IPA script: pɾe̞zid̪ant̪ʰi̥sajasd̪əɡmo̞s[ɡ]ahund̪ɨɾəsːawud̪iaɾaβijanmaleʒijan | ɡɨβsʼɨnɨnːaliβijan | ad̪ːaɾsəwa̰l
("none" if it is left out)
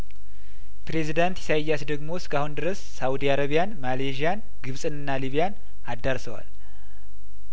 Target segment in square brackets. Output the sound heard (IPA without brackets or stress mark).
k